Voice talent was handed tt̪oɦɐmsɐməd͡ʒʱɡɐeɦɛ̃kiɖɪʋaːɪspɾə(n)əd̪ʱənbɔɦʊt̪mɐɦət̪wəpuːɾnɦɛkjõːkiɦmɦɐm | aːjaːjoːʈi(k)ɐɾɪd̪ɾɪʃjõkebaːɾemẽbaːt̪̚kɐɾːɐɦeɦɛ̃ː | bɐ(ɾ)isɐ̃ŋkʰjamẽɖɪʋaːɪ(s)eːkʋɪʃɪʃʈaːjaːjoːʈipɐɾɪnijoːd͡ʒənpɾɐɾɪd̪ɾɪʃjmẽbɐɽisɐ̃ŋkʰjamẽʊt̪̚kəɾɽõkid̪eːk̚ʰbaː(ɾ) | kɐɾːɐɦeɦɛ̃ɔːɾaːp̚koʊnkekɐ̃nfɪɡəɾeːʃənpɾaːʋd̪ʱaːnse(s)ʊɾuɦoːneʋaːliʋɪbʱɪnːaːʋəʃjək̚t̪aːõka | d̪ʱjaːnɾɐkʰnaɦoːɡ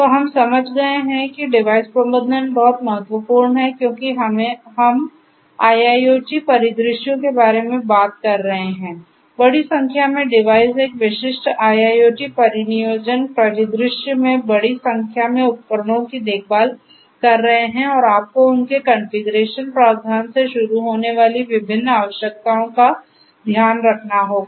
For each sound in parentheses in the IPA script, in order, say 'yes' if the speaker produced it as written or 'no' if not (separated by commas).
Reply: no, no, no, yes, no, no